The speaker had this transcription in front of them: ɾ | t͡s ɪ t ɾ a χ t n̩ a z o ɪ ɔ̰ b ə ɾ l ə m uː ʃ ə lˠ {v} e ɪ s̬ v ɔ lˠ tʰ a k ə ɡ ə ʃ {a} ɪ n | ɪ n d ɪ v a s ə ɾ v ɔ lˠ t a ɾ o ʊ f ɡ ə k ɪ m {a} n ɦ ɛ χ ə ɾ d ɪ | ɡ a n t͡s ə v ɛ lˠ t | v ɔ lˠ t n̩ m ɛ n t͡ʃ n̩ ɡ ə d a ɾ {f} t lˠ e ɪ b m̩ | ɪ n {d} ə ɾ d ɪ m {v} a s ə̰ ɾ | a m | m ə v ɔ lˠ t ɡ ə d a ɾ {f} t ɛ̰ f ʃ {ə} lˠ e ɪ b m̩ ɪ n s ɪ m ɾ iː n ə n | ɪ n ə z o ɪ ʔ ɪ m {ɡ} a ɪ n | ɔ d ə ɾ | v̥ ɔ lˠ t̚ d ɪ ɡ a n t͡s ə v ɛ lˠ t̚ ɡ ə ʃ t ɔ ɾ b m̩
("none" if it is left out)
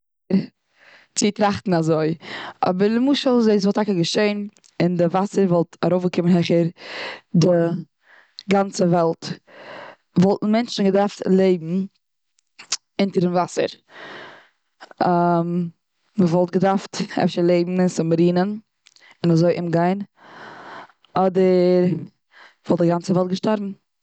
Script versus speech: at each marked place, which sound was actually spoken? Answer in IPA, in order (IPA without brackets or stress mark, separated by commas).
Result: z, e, ə, f, t, v, f, ə, ɡ